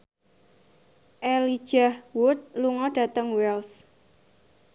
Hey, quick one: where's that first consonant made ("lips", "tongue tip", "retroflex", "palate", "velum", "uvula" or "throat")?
throat